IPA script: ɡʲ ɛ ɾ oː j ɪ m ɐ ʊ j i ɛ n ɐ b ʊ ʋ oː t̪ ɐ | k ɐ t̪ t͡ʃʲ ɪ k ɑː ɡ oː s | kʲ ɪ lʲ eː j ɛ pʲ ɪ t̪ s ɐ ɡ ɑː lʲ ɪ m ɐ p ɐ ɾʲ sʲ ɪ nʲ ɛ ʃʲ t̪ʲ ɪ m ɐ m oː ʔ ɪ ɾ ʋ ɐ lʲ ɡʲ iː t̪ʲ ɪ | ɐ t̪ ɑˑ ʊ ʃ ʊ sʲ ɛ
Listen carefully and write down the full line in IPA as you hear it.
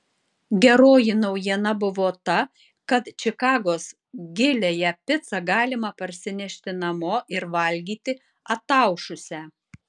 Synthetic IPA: ɡʲ ɛ ɾ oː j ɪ n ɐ ʊ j i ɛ n ɐ b ʊ ʋ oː t̪ ɐ | k ɐ t̪ t͡ʃʲ ɪ k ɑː ɡ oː s | ɡʲ ɪ lʲ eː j ɛ pʲ ɪ t̪ s ɐ ɡ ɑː lʲ ɪ m ɐ p ɐ ɾʲ sʲ ɪ nʲ ɛ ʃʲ t̪ʲ ɪ n ɐ m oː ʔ ɪ ɾ ʋ ɐ lʲ ɡʲ iː t̪ʲ ɪ | ɐ t̪ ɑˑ ʊ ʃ ʊ sʲ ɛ